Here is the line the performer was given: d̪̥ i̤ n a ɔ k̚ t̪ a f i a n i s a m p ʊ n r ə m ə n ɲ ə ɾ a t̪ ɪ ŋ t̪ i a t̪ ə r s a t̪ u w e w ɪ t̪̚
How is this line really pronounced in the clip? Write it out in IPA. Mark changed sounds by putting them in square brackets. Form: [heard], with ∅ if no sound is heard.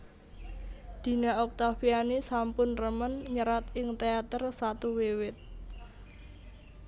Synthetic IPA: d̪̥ i̤ n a ɔ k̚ t̪ a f i a n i s a m p ʊ n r ə m ə n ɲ ə ɾ a t̪ ɪ ŋ t̪ [e] a t̪ ə r s a t̪ u w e w ɪ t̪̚